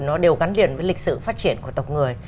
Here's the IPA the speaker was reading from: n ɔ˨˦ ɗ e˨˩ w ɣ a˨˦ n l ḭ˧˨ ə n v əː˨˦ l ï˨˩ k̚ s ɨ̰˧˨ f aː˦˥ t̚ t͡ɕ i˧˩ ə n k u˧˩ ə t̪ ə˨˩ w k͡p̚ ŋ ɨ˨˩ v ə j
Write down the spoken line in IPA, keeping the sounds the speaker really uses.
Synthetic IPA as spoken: n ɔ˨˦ ɗ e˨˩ w ɣ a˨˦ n l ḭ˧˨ ə n v əː˨˦ l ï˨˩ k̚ s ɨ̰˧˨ f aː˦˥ t̚ t͡ɕ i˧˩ ə n k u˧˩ ə t̪ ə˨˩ w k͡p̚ ŋ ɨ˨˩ ə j